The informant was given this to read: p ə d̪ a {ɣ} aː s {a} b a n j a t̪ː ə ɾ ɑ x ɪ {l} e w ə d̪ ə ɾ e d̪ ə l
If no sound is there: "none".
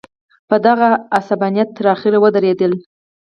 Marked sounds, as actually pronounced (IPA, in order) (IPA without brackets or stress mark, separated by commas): ɣ, a, ɾ